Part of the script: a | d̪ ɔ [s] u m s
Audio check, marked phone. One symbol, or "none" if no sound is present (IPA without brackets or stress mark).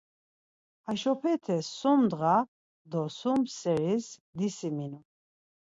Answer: s